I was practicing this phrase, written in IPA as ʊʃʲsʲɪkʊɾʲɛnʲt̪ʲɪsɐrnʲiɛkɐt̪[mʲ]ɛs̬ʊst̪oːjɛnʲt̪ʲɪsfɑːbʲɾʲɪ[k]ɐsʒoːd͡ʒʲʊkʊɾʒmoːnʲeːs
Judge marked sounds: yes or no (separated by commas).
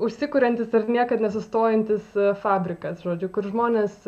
no, yes